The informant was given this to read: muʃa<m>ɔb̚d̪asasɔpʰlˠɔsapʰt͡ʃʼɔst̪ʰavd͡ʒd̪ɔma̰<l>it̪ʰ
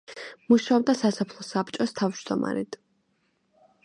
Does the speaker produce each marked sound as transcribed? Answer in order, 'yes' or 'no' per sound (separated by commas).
no, no